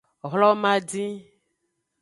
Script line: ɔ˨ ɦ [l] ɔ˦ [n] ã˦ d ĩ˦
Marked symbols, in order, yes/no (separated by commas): yes, no